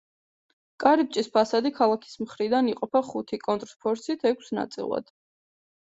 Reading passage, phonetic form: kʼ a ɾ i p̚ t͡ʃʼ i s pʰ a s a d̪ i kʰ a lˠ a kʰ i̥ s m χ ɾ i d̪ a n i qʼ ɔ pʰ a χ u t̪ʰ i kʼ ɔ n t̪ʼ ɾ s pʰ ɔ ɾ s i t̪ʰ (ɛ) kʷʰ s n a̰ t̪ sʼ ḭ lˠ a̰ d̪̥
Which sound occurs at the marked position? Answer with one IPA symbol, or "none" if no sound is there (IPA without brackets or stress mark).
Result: ɛ